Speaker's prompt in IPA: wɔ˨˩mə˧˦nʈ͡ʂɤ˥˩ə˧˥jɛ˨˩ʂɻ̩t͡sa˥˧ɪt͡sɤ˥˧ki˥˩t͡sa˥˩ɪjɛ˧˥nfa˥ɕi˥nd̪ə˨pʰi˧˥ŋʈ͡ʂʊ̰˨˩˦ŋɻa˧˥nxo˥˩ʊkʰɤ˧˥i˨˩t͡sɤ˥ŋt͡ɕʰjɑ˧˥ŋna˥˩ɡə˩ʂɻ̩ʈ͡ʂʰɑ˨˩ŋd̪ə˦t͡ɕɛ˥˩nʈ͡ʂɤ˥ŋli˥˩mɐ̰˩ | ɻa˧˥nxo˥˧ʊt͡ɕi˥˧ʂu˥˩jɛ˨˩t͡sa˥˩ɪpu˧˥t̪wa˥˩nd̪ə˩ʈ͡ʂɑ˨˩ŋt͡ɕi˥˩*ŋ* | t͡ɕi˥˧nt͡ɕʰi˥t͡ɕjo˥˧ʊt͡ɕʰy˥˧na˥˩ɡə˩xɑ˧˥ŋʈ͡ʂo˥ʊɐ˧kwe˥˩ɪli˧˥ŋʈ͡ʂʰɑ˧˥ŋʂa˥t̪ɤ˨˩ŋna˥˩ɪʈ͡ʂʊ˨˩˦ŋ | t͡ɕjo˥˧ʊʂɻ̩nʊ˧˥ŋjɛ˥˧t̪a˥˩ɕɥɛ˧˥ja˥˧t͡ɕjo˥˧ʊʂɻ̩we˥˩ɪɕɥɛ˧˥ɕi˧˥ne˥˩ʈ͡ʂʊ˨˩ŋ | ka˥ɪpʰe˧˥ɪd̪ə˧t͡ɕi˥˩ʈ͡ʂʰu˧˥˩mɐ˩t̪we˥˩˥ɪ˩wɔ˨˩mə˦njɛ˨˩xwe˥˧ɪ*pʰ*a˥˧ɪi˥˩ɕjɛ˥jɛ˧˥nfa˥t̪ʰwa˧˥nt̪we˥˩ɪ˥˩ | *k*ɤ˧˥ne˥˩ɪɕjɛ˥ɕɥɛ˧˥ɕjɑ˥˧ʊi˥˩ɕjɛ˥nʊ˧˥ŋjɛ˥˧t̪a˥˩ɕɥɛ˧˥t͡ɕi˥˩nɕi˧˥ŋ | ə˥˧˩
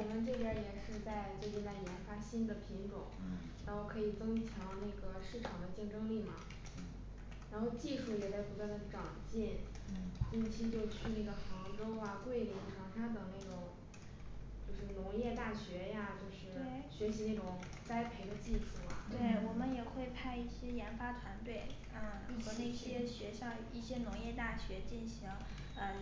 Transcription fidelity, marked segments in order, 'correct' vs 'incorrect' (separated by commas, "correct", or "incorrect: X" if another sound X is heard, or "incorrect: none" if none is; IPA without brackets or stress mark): incorrect: n, correct, incorrect: x